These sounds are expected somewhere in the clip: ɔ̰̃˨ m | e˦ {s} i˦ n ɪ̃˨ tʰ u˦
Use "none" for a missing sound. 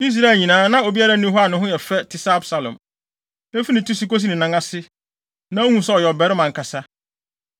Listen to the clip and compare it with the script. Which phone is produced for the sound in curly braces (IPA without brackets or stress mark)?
f